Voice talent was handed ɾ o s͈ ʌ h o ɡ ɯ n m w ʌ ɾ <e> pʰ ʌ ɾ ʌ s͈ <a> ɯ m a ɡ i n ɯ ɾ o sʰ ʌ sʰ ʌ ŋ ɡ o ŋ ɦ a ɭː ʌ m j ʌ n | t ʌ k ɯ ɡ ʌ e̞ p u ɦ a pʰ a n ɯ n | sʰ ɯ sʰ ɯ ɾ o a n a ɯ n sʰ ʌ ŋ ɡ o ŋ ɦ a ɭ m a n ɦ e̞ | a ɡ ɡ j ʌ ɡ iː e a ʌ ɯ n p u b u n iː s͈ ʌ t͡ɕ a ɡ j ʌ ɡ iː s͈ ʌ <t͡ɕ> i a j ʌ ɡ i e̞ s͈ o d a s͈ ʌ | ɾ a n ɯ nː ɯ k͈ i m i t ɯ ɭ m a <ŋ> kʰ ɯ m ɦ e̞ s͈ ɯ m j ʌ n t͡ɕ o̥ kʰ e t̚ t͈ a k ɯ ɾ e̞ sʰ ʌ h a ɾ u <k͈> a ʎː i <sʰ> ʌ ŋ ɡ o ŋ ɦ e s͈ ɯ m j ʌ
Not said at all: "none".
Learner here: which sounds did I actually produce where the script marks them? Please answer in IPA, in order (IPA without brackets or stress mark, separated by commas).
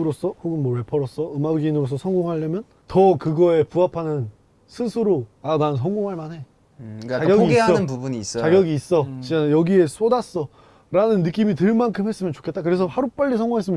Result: e, ʌ, t͡ɕ, n, p͈, sʰ